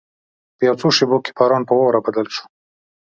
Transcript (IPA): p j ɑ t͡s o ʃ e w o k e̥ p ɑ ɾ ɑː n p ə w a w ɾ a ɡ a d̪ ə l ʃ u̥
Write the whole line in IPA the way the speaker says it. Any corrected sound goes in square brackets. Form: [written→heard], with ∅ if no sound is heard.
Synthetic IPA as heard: p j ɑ t͡s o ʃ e [w→b] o k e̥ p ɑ ɾ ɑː n p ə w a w ɾ a [ɡ→b] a d̪ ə l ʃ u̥

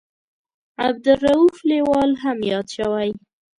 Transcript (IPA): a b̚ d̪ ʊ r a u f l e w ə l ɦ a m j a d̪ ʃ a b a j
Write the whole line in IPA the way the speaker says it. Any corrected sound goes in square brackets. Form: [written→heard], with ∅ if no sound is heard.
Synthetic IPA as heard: a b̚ d̪ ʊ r a u f l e w [ə→ɑ] l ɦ a m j [a→ɑ] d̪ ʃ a [b→w] a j

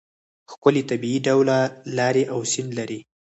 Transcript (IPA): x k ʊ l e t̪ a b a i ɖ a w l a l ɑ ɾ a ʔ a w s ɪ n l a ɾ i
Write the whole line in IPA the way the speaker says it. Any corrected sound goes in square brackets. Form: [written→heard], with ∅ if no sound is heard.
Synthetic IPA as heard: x k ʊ l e t̪ a b [a→i] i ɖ a w l a l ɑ ɾ [a→e] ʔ a w s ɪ n l a ɾ i

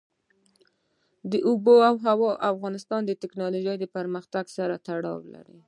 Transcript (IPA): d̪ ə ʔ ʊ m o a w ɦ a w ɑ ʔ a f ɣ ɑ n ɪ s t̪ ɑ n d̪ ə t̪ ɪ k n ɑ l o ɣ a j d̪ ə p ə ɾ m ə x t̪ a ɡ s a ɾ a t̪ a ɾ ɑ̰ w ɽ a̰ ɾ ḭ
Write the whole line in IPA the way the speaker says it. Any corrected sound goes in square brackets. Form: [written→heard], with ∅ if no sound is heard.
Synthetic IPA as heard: d̪ ə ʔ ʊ [m→b] o a w ɦ a w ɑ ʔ a f ɣ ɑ n ɪ s t̪ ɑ n d̪ ə t̪ ɪ k n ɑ l o [ɣ→ʒ] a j d̪ ə p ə ɾ m ə x t̪ a ɡ s a ɾ a t̪ a [ɾ→ɽ] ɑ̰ w [ɽ→l] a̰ ɾ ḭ

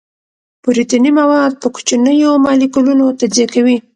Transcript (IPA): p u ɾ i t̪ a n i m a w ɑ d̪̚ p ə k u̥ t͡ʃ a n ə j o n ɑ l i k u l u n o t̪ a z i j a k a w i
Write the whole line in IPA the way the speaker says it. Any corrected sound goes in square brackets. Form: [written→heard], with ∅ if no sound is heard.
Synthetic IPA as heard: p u ɾ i t̪ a n i m a w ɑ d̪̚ p ə k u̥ t͡ʃ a n ə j o [n→m] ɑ l i k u l u n o t̪ a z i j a k a w i

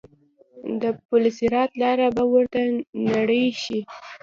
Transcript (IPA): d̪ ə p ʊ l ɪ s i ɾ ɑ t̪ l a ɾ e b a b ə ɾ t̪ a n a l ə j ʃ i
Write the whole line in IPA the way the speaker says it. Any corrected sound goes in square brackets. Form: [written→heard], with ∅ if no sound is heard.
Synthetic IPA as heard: d̪ ə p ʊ l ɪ s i ɾ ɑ t̪ l [a→ɑ] ɾ [e→a] b a [b→w] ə ɾ t̪ a n a [l→ɽ] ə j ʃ i

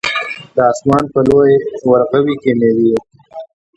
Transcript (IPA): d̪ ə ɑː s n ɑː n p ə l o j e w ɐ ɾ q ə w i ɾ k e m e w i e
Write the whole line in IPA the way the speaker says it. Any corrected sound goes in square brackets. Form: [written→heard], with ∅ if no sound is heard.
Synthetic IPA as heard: d̪ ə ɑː s [n→m] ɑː n p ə l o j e w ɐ ɾ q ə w i [ɾ→∅] k e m e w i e

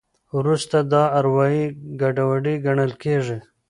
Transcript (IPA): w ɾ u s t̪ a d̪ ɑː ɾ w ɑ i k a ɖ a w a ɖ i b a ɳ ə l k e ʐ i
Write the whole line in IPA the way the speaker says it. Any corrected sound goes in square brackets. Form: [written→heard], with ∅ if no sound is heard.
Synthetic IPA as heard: w ɾ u s t̪ a d̪ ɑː ɾ w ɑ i [k→ɡ] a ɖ a w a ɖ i [b→ɡ] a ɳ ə l k e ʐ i

